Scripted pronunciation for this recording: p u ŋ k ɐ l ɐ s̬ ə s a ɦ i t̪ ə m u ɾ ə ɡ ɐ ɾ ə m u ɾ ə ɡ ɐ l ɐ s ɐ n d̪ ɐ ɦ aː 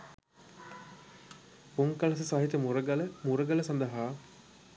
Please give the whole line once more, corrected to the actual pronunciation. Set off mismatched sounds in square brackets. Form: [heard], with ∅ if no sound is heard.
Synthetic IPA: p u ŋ k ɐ l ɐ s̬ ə s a ɦ i t̪ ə m u ɾ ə ɡ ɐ [l] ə m u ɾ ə ɡ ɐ l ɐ s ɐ n d̪ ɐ ɦ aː